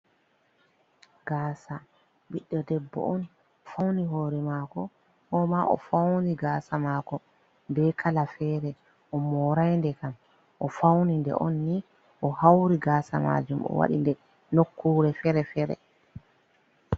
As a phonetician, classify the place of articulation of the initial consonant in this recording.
velar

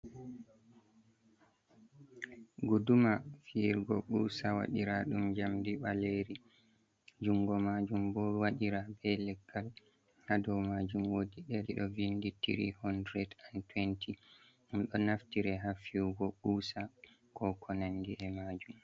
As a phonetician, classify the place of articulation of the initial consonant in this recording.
velar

